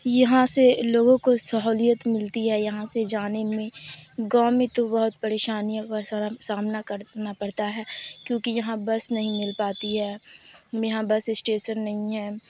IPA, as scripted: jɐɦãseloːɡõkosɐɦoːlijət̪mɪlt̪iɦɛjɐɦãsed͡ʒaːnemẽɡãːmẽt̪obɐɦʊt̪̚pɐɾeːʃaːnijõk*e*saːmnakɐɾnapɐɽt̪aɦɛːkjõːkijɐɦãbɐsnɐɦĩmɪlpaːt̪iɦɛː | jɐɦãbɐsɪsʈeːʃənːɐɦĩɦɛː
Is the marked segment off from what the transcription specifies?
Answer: yes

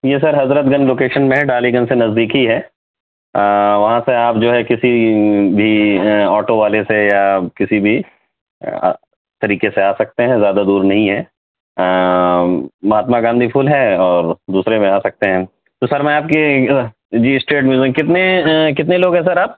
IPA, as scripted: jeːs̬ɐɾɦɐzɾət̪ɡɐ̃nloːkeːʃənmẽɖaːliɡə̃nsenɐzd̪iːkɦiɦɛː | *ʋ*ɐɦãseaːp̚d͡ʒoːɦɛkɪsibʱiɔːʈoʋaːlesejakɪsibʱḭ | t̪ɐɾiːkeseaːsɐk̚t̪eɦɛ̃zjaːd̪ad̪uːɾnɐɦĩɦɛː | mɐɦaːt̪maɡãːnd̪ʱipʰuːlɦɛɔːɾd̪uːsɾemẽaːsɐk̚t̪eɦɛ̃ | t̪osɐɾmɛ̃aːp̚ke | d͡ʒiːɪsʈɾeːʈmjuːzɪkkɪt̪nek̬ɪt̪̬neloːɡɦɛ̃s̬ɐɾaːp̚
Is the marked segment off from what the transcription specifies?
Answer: no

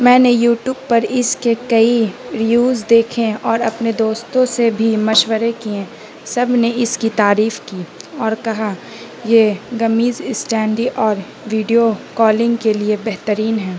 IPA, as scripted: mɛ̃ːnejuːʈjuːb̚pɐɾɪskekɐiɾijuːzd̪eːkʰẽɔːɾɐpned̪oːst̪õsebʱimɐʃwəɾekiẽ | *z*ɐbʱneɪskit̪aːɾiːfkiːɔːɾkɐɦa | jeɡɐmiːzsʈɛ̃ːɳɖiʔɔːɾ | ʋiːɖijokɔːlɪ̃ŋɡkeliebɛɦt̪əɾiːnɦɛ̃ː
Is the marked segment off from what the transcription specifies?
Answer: yes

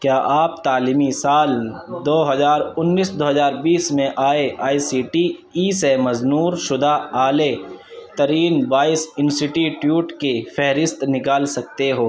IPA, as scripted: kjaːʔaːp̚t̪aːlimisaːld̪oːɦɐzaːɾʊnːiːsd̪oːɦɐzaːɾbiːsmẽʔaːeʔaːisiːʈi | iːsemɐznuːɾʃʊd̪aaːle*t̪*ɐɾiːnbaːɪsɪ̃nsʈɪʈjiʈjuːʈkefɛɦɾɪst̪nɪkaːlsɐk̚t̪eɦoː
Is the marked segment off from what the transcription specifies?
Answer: no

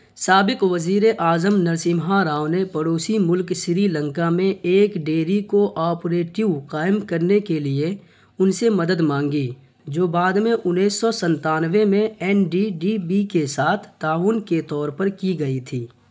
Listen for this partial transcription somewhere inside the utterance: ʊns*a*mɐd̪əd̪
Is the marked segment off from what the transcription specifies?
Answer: yes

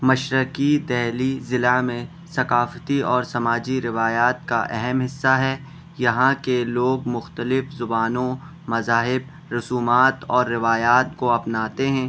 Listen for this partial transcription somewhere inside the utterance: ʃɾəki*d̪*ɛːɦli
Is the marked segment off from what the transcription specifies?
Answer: no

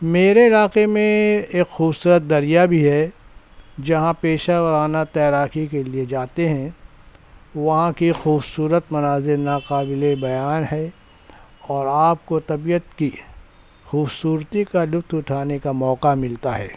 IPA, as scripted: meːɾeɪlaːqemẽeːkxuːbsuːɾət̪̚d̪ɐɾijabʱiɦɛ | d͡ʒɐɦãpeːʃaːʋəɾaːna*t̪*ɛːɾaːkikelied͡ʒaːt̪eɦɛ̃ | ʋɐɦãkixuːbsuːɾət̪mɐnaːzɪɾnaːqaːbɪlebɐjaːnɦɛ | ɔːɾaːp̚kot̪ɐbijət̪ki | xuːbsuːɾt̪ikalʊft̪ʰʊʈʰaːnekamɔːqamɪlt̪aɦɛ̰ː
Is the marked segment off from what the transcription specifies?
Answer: no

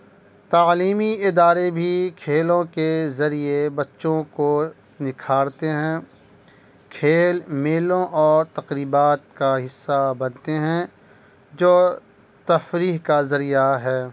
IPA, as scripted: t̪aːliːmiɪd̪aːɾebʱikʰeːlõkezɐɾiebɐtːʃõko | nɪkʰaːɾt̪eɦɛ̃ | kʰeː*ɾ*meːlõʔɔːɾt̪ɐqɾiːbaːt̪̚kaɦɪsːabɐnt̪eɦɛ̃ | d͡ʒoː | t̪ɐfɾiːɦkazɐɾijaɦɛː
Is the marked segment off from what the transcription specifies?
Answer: yes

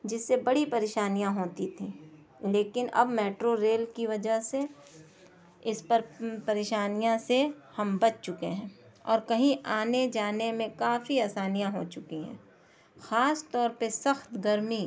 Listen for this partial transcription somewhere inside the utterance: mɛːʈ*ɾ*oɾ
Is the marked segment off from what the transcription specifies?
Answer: no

